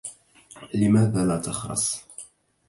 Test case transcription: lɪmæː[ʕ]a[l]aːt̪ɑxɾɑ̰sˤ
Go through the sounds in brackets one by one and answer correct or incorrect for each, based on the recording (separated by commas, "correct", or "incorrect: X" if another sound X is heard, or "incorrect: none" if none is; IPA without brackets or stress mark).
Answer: incorrect: ð, correct